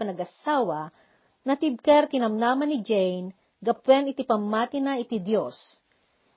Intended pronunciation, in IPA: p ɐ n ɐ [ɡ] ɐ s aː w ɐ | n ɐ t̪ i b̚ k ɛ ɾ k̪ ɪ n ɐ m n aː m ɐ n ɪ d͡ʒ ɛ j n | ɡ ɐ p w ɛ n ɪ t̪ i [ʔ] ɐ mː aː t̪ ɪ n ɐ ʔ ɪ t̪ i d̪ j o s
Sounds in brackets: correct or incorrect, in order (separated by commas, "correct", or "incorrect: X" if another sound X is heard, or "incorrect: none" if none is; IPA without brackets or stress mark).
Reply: correct, incorrect: p